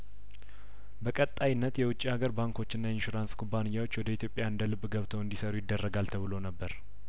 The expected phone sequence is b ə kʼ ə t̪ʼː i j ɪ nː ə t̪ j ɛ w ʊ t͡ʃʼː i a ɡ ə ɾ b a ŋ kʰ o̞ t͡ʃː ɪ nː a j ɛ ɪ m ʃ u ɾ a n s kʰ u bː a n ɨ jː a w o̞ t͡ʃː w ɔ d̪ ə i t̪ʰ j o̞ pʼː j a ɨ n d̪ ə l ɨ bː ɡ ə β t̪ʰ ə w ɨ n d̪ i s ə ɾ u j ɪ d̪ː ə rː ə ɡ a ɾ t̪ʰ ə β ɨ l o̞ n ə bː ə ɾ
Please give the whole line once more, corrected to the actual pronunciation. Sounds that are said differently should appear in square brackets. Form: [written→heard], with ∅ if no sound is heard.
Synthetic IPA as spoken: b ə kʼ ə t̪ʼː [i→a] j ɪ nː ə t̪ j ɛ w ʊ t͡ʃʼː i a ɡ ə ɾ b a ŋ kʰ o̞ t͡ʃː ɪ nː a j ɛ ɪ [m→n] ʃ u ɾ a n s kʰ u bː a n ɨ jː a w o̞ t͡ʃː w ɔ d̪ ə i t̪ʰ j o̞ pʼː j a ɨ n d̪ ə l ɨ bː ɡ ə β t̪ʰ ə w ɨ n d̪ i s ə ɾ u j ɪ d̪ː ə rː ə ɡ a [ɾ→l] t̪ʰ ə β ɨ l o̞ n ə bː ə ɾ